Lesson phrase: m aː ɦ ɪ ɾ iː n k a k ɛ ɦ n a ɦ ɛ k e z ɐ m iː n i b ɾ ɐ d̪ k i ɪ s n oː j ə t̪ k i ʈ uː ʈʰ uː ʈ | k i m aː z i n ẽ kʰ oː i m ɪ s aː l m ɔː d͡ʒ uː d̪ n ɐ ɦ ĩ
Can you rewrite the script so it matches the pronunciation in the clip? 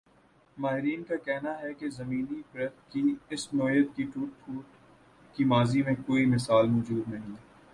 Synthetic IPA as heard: m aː ɦ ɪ ɾ iː n k a k ɛ ɦ n a ɦ ɛ k e z ɐ m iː n i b ɾ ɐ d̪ k i ɪ s n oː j ə t̪ k i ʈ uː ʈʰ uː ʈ | k i m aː z i m ẽ k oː i m ɪ s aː l m ɔː d͡ʒ uː d̪ n ɐ ɦ ĩ